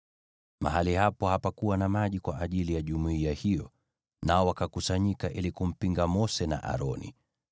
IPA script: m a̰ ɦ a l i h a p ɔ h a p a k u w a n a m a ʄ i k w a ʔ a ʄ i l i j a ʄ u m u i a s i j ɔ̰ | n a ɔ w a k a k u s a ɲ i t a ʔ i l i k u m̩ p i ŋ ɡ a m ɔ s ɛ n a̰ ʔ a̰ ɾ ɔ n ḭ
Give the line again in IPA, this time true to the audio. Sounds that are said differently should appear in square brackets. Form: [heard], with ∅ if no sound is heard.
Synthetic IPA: m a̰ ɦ a l i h a p ɔ h a p a k u w a n a m a ʄ i k w a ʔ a ʄ i l i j a ʄ u m u i a [h] i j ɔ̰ | n a ɔ w a k a k u s a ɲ i [k] a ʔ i l i k u m̩ p i ŋ ɡ a m ɔ s ɛ n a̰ ʔ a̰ ɾ ɔ n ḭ